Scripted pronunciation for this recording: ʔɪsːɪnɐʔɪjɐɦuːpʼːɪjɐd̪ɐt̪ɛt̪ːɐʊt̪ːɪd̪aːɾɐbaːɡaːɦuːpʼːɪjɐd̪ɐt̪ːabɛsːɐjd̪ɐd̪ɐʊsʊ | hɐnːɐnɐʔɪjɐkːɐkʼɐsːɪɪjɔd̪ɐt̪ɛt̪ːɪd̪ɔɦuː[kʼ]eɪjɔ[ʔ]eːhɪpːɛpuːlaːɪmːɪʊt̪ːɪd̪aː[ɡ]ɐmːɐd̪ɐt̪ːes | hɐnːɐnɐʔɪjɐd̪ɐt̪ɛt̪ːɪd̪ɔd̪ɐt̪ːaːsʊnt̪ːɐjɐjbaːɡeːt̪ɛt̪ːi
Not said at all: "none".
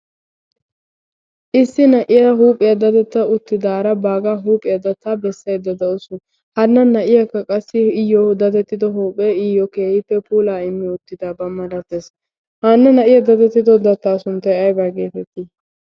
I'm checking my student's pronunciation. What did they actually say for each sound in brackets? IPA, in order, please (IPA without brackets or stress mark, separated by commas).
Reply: pʼ, k, b